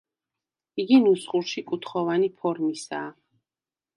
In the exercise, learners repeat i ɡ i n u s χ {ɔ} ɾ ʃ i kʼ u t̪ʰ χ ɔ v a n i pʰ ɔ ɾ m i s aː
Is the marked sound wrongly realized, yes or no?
yes